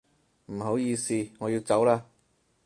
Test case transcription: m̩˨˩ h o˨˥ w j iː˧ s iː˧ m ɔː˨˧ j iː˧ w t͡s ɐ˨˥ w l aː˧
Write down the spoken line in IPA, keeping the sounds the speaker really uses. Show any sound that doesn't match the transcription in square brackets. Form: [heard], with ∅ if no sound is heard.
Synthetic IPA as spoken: m̩˨˩ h o˨˥ w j iː˧ s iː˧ [ŋ] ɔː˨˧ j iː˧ w t͡s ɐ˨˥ w l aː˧